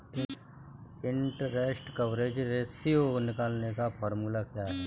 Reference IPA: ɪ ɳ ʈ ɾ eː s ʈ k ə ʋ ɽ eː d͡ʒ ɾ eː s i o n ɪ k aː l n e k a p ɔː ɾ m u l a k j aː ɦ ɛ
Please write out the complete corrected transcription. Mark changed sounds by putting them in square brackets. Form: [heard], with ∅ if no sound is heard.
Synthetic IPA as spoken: ɪ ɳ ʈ ɾ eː s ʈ k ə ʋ [ɾ] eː d͡ʒ ɾ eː s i o n ɪ k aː l n e k a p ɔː ɾ m u l a k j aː ɦ ɛ